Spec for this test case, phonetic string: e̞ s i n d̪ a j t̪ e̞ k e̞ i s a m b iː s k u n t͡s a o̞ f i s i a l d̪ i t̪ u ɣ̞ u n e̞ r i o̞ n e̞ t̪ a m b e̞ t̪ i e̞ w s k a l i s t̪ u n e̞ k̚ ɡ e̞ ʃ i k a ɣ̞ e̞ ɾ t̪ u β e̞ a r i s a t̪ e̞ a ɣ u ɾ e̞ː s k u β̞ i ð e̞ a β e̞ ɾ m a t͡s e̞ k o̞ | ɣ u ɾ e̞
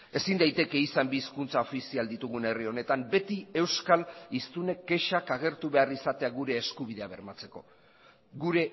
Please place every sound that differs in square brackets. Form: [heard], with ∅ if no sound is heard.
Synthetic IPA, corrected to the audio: e̞ s i n d̪ a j t̪ e̞ k e̞ i s a m b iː s k u n t͡s a o̞ f i s i a l d̪ i t̪ u ɣ̞ u n e̞ r i o̞ n e̞ t̪ a m b e̞ t̪ i e̞ w s k a l i s t̪ u n e̞ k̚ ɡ e̞ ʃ [a] k a ɣ̞ e̞ ɾ t̪ u β e̞ a r i s a t̪ e̞ a ɣ u ɾ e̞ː s k u β̞ i ð e̞ a β e̞ ɾ m a t͡s e̞ k o̞ | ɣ u ɾ e̞